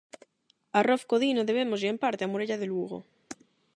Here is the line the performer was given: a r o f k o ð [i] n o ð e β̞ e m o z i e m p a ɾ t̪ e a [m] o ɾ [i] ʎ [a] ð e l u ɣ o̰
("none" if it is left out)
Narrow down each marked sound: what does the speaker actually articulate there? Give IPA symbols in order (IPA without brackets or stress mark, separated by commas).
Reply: i, m, e, a